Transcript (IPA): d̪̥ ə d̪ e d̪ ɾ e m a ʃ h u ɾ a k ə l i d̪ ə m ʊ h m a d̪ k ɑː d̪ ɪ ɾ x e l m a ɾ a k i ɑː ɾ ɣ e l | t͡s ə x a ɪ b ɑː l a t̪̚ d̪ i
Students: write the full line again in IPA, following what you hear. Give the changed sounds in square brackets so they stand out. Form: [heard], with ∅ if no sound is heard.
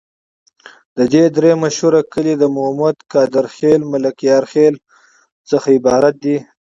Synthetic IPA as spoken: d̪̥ ə d̪ e d̪ ɾ e m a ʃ h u ɾ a k ə l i d̪ ə m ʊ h m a d̪ k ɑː d̪ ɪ ɾ x e l m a [l] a k [j] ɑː ɾ [x] e l | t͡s ə x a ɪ b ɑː [ɾ] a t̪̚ d̪ i